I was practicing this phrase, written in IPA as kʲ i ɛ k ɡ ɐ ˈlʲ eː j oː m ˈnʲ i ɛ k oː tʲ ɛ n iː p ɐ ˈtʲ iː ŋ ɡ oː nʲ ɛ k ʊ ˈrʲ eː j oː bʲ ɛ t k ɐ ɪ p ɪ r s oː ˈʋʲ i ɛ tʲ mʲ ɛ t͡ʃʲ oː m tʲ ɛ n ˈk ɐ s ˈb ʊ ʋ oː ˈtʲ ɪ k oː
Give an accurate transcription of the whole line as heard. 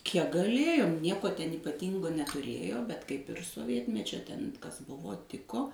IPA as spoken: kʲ i ɛ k ɡ ɐ ˈlʲ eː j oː m ˈnʲ i ɛ k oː tʲ ɛ n iː p ɐ ˈtʲ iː ŋ ɡ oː nʲ ɛ t ʊ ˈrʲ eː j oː bʲ ɛ t k ɐ ɪ p ɪ r s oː ˈʋʲ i ɛ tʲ mʲ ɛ t͡ʃʲ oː tʲ ɛ n ˈk ɐ s ˈb ʊ ʋ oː ˈtʲ ɪ k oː